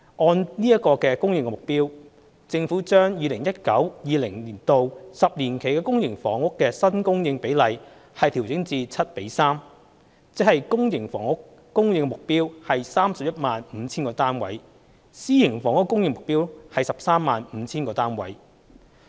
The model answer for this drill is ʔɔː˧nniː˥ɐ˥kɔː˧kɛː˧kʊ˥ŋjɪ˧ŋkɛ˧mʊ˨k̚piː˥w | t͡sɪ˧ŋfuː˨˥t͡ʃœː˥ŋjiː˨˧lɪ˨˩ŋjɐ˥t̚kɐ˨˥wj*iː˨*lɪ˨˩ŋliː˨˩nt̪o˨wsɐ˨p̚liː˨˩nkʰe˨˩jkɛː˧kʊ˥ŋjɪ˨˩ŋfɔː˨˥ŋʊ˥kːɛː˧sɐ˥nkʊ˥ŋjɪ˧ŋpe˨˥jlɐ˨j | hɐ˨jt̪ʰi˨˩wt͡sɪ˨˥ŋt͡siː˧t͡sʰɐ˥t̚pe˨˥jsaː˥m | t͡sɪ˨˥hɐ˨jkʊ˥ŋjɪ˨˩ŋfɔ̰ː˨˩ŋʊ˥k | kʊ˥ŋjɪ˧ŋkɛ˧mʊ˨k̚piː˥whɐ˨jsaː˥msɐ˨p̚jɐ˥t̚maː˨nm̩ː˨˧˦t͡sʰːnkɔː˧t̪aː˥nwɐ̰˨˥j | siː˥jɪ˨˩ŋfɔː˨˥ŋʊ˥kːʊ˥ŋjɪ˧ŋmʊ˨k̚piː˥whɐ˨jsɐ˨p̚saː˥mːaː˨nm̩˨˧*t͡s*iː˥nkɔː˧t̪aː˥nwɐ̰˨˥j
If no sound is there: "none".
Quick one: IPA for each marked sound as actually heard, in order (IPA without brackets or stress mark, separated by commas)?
iː˨, t͡sʰ